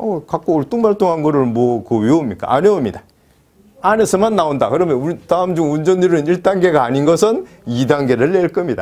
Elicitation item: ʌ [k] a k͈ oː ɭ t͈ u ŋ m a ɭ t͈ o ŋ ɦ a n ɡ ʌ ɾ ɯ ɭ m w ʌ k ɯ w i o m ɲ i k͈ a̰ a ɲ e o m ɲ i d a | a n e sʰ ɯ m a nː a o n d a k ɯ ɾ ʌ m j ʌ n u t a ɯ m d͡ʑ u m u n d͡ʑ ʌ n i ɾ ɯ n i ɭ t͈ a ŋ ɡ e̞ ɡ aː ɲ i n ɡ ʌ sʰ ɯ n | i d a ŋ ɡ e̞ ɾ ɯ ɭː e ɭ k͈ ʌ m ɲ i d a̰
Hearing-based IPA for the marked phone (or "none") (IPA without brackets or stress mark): k